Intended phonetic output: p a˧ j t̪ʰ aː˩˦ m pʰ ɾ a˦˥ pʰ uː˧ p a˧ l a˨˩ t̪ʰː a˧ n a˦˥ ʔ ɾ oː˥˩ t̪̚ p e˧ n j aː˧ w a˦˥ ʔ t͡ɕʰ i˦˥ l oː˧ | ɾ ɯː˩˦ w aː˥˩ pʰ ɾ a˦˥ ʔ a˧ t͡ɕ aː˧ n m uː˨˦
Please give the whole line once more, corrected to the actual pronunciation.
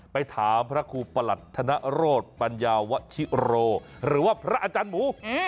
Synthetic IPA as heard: p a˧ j t̪ʰ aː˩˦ m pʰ ɾ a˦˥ kʰ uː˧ p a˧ l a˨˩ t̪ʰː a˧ n a˦˥ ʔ ɾ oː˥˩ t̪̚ p a˧ n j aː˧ w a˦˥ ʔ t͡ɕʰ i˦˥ ɾ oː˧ | ɾ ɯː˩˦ w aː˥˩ pʰ ɾ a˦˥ ʔ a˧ t͡ɕ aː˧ n m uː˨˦